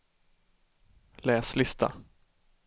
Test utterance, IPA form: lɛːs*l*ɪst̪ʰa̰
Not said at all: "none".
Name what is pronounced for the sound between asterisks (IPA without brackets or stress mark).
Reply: l